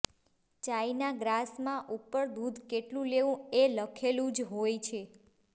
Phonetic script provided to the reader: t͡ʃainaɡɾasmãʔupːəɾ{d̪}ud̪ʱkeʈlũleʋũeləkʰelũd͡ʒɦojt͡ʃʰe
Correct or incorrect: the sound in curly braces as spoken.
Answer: correct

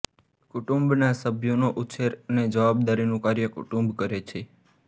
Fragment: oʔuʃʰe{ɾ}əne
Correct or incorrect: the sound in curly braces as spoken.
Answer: correct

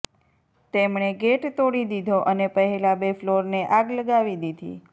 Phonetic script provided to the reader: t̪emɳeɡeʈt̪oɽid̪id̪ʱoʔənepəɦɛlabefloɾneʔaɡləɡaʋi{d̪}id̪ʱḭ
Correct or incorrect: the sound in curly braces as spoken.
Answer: correct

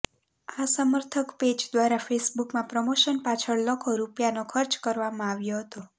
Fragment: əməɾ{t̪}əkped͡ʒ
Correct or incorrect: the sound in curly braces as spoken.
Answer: incorrect: t̪ʰ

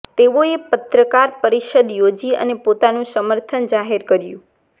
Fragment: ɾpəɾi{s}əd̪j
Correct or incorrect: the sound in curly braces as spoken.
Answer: incorrect: ʃ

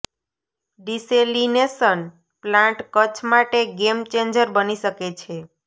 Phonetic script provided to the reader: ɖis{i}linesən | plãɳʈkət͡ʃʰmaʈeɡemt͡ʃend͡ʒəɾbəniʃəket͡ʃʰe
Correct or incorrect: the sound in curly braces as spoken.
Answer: incorrect: e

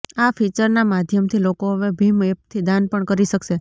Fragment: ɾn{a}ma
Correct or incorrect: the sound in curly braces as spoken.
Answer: correct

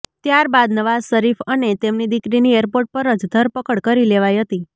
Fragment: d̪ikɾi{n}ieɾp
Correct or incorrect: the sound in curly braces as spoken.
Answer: correct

